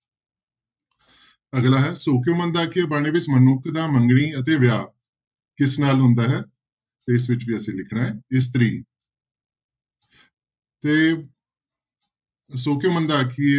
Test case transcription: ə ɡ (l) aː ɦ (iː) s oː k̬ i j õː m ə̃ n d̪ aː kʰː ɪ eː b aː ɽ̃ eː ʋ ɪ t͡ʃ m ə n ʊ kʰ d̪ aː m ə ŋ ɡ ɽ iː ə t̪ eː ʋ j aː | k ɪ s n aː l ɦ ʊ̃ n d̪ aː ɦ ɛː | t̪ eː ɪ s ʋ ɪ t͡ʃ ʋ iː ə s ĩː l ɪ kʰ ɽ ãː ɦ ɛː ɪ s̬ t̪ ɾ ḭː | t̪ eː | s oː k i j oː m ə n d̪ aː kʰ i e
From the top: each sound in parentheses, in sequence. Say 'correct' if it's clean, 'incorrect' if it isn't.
correct, incorrect

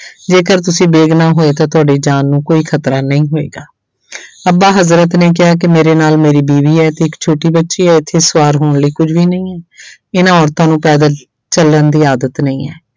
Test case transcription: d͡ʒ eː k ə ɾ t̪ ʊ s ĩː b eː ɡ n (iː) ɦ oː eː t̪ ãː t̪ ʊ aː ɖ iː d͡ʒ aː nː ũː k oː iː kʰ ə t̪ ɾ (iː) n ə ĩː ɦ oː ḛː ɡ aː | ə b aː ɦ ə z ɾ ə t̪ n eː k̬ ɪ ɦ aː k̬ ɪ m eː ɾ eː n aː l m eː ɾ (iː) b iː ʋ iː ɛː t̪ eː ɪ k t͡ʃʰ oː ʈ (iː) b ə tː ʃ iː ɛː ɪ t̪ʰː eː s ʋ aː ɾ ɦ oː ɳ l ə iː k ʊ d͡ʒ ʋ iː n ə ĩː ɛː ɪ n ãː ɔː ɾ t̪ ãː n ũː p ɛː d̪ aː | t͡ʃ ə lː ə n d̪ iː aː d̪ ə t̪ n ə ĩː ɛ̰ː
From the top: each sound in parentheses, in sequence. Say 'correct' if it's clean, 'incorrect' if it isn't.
incorrect, incorrect, correct, correct

